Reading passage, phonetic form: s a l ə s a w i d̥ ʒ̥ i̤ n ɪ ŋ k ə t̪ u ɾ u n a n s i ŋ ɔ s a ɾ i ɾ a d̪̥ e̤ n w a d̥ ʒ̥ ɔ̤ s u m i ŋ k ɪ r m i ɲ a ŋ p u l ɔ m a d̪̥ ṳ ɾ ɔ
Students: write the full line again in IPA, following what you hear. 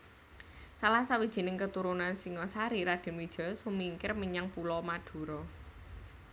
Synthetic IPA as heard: s a l a s a w i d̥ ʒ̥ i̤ n ɪ ŋ k ə t̪ u ɾ u n a n s i ŋ ɔ s a ɾ i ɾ a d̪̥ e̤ n w i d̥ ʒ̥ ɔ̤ s u m i ŋ k ɪ r m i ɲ a ŋ p u l ɔ m a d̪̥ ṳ ɾ ɔ